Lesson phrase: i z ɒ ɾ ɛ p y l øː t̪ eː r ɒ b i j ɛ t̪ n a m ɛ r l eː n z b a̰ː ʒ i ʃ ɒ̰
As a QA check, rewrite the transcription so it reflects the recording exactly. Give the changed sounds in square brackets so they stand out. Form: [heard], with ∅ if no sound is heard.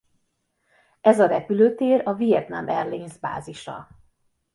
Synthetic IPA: [ɛ] z ɒ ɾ ɛ p y l øː t̪ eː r ɒ [v] i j ɛ t̪ n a m ɛ r l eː n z b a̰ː [z] i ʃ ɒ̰